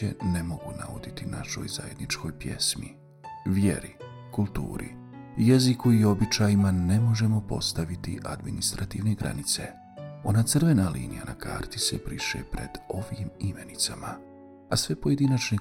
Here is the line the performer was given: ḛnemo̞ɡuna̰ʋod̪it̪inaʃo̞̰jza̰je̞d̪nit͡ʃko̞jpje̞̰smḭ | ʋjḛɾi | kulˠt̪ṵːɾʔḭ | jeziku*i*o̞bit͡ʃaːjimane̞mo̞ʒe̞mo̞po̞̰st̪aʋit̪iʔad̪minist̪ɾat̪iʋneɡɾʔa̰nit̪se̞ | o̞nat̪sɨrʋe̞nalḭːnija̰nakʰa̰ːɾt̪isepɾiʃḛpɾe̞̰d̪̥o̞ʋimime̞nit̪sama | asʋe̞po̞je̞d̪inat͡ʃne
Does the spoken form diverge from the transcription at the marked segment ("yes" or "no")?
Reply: no